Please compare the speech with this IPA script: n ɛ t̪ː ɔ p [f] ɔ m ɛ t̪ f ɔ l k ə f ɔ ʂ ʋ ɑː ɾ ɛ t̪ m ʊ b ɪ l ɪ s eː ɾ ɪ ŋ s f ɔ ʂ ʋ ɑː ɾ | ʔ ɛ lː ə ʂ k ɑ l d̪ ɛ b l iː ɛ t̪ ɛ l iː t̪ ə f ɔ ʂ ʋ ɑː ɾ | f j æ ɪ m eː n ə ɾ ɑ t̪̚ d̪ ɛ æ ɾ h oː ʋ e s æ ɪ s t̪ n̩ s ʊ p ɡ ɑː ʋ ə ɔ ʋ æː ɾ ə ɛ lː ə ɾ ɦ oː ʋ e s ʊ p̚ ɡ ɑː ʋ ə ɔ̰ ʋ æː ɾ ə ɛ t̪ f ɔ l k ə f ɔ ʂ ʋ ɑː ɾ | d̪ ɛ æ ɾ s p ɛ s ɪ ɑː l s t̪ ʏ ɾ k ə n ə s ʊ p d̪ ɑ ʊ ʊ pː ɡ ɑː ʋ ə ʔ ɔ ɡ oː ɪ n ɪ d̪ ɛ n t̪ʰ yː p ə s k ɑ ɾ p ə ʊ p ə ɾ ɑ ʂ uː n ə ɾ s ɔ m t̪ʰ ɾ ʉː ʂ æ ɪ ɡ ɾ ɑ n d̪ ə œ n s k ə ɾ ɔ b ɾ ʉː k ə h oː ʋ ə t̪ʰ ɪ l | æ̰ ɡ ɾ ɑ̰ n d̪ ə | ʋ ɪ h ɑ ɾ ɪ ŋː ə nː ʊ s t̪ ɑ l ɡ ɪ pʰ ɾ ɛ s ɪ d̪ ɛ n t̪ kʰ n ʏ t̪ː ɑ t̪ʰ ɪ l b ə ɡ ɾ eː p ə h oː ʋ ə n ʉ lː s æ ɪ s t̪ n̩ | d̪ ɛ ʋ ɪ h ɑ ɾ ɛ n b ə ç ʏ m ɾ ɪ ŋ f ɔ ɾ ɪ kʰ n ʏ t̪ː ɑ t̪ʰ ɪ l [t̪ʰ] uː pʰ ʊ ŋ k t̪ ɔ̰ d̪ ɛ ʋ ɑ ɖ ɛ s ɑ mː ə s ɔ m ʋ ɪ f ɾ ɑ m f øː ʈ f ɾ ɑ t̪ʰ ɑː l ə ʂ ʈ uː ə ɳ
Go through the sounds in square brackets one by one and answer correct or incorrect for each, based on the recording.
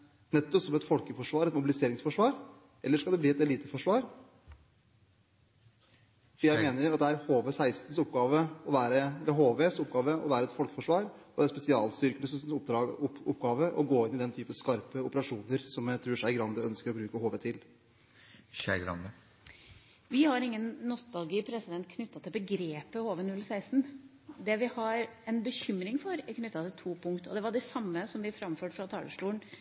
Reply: incorrect: s, correct

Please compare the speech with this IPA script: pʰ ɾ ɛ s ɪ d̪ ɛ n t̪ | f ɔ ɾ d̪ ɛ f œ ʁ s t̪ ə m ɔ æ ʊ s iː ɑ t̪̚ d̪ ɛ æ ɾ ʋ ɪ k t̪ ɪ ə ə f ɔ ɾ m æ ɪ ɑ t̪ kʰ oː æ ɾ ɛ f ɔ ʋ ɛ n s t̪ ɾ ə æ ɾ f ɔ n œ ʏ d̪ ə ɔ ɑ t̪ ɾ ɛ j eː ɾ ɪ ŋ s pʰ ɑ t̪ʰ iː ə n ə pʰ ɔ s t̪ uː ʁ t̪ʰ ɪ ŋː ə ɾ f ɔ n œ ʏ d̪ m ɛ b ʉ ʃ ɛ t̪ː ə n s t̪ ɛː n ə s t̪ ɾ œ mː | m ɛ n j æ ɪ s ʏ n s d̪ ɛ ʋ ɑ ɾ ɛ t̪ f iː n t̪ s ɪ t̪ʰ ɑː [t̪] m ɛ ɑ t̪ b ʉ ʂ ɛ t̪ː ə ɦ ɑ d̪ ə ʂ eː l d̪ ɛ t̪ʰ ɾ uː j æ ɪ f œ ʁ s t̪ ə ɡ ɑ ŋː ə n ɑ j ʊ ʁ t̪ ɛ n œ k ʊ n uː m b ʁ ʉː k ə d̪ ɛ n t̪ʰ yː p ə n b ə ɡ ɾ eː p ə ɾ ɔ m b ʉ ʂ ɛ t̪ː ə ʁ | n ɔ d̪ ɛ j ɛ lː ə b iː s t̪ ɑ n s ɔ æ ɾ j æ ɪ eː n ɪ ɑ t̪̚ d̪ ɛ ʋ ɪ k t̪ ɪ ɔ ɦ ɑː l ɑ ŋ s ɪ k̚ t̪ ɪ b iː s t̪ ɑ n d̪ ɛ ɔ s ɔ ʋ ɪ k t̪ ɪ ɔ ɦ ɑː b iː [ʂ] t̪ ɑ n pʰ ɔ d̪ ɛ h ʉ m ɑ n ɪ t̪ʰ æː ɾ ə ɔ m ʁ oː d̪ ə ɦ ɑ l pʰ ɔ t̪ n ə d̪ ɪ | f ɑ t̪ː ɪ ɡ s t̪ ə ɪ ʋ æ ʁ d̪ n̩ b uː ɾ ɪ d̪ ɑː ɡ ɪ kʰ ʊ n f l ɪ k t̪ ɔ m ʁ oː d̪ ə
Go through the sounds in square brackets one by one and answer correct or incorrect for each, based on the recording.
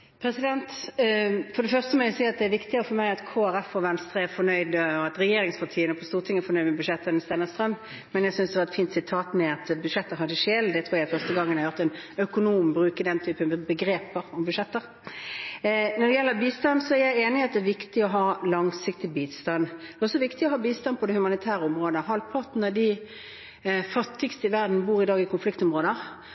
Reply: correct, incorrect: s

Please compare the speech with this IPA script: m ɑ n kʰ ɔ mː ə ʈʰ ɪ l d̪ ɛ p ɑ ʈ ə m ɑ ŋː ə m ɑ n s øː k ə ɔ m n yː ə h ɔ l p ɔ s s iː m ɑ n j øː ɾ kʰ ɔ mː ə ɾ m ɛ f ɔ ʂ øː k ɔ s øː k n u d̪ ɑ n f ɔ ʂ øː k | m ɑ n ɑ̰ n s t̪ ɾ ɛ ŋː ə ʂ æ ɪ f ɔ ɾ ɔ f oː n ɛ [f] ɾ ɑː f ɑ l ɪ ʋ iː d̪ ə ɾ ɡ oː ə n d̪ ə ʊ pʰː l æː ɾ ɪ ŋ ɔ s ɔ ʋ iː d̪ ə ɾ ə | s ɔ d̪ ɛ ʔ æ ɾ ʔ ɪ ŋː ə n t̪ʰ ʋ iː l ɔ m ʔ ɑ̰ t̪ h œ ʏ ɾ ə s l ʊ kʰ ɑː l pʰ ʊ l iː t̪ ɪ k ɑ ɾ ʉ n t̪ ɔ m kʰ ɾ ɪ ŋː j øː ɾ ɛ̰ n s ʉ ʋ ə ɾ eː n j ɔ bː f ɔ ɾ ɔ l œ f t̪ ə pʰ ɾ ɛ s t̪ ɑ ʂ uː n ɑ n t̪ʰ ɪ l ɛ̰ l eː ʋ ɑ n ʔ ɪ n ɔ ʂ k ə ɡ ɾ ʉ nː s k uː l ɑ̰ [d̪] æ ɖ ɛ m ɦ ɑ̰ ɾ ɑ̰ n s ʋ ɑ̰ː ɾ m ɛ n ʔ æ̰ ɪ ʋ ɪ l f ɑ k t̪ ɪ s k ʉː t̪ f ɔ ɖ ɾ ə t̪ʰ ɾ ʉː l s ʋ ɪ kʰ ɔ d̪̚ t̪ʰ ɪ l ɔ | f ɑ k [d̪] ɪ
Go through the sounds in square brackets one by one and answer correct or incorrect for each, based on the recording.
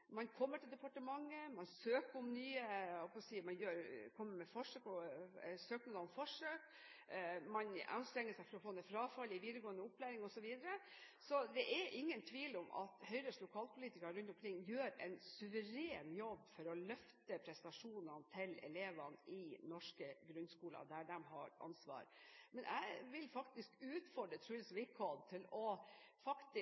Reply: correct, correct, incorrect: t̪

